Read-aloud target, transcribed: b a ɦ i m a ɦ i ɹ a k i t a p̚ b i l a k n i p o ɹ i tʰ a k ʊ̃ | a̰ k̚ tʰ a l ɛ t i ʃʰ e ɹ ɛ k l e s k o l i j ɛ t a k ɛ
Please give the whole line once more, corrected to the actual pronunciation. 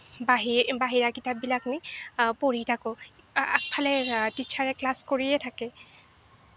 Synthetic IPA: b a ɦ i b a ɦ i ɹ a k i t a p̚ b i l a k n i p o ɹ i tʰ a k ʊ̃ | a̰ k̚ pʰ a l ɛ t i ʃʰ a ɹ ɛ k l a s k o ɹ i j ɛ tʰ a k ɛ

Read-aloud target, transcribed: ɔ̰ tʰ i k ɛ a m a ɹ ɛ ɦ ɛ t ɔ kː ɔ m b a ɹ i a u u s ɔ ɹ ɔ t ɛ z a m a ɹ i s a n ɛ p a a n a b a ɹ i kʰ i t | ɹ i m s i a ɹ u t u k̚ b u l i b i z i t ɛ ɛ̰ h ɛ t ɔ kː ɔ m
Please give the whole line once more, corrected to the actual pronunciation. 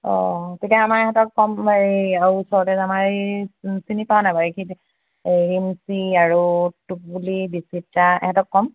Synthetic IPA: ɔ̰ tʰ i k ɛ a m a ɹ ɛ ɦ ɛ t ɔ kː ɔ m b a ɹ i a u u s ɔ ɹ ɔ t ɛ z a m a ɹ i s i n i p a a n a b a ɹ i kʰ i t | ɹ i m s i a ɹ u t u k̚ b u l i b i s i t a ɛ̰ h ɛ t ɔ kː ɔ m

